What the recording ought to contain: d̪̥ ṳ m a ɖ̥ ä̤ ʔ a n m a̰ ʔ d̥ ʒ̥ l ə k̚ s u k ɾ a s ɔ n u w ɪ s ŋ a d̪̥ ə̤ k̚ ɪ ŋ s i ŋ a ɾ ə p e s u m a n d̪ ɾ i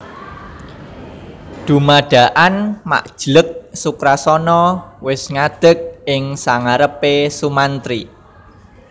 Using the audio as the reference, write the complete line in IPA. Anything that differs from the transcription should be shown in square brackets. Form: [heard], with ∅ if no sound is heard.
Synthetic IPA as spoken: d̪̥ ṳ m a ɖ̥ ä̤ ʔ a n m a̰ ʔ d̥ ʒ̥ l ə k̚ s u k ɾ a s ɔ n [ɔ] w ɪ s ŋ a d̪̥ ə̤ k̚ ɪ ŋ s [a] ŋ a ɾ ə p e s u m a n [t̪] ɾ i